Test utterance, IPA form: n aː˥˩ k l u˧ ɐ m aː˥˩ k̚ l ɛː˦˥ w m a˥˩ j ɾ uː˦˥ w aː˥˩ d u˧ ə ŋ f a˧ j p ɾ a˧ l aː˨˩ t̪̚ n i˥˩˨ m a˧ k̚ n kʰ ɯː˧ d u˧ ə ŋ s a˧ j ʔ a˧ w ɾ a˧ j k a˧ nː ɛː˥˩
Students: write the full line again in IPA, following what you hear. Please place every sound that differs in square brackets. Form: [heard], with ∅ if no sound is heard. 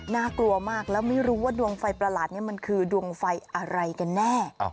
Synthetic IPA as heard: n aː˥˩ k l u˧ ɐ m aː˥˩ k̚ l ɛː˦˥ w m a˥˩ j ɾ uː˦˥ w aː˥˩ d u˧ ə ŋ f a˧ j p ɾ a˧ l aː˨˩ t̪̚ n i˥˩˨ m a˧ [∅] n kʰ ɯː˧ d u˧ ə ŋ [f] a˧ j ʔ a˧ [∅] ɾ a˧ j k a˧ nː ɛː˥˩